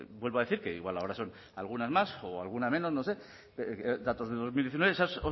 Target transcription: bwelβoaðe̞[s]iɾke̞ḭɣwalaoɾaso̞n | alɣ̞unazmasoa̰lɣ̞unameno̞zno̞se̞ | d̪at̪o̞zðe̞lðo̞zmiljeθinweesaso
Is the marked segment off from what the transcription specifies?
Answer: yes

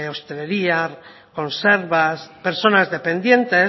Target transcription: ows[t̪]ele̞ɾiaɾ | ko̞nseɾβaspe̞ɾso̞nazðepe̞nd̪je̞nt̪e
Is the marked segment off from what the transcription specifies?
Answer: no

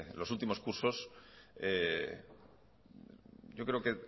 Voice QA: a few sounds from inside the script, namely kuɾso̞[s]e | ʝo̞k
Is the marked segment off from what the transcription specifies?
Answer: no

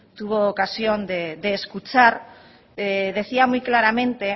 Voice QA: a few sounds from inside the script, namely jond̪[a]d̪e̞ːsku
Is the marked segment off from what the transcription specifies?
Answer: yes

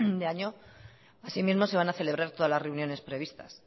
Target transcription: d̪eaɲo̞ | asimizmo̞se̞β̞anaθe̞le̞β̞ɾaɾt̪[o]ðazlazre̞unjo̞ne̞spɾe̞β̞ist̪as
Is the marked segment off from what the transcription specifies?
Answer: no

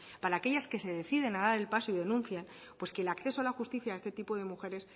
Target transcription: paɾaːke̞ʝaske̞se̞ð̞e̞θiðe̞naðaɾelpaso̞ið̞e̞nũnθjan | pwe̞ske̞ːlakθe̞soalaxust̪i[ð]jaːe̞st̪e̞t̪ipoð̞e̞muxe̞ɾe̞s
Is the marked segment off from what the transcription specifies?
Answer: yes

